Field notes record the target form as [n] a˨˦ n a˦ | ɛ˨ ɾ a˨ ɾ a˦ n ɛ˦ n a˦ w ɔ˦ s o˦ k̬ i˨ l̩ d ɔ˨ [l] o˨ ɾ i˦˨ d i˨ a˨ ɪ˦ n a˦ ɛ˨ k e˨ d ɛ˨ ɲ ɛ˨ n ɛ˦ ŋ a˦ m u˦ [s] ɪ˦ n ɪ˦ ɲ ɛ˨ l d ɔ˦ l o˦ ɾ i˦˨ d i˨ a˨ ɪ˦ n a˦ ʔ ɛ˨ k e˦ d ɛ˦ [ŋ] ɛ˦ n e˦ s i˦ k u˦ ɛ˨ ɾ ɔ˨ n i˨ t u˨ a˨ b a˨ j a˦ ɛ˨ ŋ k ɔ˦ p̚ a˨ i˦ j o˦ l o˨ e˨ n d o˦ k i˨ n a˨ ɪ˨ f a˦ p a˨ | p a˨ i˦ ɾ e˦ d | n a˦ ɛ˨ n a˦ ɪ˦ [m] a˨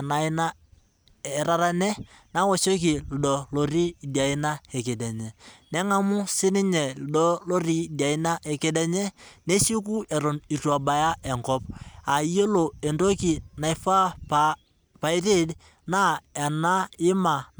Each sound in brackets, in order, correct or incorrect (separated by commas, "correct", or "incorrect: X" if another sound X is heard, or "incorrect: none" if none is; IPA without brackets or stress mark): correct, correct, correct, incorrect: ɲ, correct